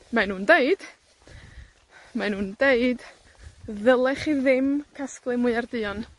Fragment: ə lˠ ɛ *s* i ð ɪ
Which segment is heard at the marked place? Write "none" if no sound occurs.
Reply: χ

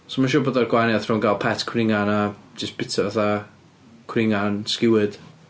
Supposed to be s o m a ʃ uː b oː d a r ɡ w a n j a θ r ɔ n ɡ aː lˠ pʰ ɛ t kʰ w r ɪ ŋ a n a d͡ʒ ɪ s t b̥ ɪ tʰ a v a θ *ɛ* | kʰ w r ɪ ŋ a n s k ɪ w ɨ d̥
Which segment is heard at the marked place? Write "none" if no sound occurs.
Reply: a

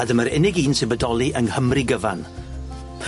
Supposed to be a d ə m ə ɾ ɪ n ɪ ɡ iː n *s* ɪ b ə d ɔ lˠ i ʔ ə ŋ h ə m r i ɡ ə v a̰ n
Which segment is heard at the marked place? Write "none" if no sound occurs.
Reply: s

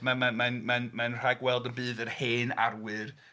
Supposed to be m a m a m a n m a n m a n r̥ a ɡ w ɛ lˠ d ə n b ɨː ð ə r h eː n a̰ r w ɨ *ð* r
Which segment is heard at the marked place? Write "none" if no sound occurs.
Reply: none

